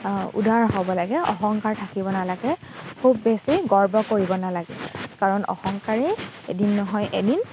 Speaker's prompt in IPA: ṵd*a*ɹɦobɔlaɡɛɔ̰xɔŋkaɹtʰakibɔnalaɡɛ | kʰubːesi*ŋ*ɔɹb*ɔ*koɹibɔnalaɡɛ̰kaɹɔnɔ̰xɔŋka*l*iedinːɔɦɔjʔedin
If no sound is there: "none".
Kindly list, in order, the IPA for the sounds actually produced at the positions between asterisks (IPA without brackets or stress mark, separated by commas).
a, ɡ, ɔ, ɹ